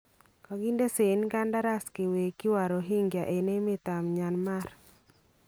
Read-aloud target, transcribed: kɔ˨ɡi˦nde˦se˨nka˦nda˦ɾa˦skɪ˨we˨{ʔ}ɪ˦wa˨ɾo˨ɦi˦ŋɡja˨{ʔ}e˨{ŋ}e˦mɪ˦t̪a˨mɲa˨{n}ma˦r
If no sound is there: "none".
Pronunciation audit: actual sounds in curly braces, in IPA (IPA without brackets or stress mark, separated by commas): k, ʔ, n, n